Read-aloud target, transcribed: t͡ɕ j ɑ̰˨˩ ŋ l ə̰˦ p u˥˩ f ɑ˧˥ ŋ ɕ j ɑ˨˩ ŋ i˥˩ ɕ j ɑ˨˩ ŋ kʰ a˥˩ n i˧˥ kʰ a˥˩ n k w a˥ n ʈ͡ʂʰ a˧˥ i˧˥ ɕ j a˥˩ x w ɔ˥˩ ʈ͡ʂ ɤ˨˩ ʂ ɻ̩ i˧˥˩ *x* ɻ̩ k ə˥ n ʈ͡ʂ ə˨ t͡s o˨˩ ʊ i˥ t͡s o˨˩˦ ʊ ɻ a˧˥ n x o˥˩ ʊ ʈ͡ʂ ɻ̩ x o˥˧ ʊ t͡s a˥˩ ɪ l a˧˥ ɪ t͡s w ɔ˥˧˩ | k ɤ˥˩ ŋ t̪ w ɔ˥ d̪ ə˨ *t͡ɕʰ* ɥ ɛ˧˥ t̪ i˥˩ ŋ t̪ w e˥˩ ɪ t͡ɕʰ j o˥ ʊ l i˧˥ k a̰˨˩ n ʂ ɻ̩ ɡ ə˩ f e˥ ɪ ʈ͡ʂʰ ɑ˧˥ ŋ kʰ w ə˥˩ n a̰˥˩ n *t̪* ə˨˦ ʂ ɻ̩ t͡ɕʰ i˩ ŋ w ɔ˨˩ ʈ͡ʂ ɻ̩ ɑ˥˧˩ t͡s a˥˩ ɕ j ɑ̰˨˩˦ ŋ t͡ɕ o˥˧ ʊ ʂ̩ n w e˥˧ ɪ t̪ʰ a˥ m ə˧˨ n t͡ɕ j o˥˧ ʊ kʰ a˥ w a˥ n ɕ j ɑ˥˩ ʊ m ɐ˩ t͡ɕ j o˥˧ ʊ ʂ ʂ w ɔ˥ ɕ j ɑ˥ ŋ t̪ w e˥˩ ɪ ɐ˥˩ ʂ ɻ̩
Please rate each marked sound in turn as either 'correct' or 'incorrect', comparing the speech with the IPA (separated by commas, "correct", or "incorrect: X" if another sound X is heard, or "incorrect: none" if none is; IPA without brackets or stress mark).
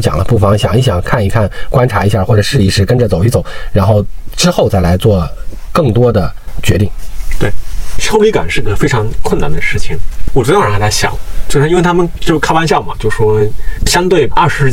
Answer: incorrect: ʂ, incorrect: t͡ɕ, incorrect: d̪